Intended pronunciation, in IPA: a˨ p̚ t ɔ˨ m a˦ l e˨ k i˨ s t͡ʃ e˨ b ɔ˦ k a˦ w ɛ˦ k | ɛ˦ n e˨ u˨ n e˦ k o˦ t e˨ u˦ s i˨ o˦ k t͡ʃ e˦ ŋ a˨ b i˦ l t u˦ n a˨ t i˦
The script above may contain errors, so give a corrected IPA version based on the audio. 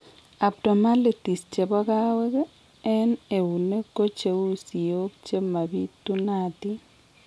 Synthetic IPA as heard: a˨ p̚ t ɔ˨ m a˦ l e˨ t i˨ s t͡ʃ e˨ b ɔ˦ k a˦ w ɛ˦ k | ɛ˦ n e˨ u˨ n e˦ k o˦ t͡ʃ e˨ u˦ s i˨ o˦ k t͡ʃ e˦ m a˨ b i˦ t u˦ n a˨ t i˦

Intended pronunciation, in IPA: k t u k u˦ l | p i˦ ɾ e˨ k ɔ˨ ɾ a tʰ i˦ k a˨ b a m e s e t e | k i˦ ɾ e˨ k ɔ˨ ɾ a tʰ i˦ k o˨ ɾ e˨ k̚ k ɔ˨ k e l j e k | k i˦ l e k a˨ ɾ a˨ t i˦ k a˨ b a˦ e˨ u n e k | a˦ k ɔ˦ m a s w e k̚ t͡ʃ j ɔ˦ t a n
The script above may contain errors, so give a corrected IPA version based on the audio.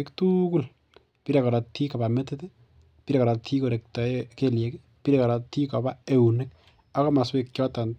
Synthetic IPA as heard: k t u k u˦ l | p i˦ ɾ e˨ k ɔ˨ ɾ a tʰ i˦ k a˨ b a m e t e t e | p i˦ ɾ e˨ k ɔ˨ ɾ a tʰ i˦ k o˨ ɾ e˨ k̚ t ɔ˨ k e l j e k | p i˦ ɾ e k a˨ ɾ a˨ t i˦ k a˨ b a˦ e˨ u n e k | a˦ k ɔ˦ m a s w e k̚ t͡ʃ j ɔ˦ t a n

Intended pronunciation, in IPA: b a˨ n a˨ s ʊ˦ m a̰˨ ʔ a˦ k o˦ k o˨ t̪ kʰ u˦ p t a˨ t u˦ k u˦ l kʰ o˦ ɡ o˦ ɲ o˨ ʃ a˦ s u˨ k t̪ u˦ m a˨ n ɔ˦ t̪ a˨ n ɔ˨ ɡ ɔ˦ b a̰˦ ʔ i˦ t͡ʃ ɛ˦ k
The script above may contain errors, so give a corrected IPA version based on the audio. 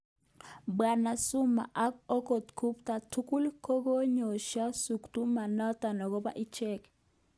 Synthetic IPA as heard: b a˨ n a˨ s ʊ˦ m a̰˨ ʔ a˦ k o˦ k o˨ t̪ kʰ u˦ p t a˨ t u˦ k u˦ l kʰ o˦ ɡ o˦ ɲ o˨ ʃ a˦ s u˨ k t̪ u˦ m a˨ n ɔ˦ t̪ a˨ n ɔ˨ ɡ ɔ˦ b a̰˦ ʔ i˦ t͡ʃ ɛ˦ k

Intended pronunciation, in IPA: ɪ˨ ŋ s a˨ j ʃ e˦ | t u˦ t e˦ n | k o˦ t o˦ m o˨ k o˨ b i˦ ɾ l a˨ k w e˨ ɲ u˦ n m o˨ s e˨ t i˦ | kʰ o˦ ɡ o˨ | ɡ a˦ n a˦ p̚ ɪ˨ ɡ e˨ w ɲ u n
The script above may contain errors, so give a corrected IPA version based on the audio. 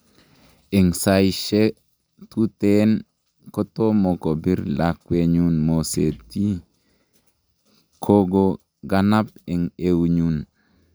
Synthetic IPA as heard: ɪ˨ ŋ s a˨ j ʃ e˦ | t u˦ t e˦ n | k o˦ t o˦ m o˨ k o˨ b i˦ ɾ l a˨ k w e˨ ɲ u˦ n m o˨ s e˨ t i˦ | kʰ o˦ ɡ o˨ | ɡ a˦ n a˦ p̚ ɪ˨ ŋ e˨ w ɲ u n

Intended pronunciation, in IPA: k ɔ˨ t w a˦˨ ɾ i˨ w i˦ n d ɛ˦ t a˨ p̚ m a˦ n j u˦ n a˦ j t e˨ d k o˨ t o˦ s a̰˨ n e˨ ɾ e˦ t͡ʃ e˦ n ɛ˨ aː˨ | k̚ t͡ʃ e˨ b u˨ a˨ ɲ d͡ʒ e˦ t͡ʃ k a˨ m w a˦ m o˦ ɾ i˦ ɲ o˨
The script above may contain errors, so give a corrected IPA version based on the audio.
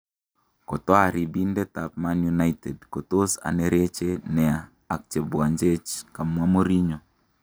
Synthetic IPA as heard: k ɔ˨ t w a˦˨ ɾ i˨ b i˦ n d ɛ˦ t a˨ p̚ m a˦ n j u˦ n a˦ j t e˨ d k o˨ t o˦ s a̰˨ n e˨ ɾ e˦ t͡ʃ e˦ n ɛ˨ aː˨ | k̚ t͡ʃ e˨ b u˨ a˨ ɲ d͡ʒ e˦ t͡ʃ k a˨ m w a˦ m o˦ ɾ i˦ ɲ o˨

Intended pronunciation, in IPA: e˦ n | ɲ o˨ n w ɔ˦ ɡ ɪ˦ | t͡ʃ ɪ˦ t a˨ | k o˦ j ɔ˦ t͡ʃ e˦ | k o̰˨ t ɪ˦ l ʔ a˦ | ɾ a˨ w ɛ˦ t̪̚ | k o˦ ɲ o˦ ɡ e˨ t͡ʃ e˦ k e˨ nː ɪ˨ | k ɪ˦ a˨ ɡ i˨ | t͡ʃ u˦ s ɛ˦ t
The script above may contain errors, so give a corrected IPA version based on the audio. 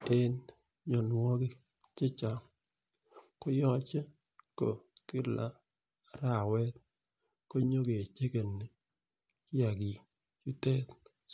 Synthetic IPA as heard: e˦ n | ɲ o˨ n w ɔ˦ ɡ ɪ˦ | t͡ʃ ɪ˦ t͡ʃ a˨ | k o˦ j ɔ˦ t͡ʃ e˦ | k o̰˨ k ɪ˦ l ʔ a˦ | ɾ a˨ w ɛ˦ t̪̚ | k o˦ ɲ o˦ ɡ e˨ t͡ʃ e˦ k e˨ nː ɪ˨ | k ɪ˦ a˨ ɡ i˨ | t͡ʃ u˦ t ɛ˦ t

